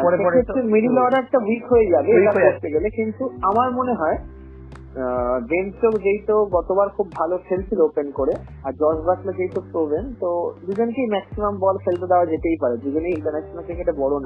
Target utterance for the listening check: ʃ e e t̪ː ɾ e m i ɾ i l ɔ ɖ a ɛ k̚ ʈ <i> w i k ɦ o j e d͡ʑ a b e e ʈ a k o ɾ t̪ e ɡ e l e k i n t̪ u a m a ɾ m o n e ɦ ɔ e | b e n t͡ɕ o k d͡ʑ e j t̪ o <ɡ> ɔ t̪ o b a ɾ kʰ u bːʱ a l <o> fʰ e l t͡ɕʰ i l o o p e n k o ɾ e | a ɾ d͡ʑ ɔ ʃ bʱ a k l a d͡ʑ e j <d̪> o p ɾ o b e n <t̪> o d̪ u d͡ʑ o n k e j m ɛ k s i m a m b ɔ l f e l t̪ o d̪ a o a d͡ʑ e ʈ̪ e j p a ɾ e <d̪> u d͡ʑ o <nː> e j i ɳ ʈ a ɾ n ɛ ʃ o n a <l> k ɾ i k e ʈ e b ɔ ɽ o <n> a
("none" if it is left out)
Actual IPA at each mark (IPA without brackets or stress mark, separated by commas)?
a, ɡ, o, t̪, t̪, d̪, n, l, n